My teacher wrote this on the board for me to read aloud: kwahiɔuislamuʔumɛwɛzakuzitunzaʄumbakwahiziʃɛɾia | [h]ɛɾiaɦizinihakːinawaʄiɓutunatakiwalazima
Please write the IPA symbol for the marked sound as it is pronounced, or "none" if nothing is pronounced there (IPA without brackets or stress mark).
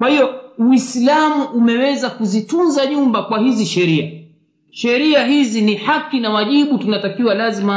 ʃ